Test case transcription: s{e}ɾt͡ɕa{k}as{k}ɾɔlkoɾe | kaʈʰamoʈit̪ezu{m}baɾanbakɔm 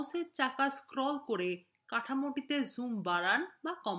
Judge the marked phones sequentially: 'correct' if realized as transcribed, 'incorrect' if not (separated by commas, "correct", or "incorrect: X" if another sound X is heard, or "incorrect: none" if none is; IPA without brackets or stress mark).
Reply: correct, correct, correct, correct